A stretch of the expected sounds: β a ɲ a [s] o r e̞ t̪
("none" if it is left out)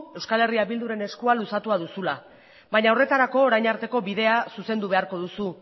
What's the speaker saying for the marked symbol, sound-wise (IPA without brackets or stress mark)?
none